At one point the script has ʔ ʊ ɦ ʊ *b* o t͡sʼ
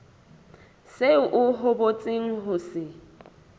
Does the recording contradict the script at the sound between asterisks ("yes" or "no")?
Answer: no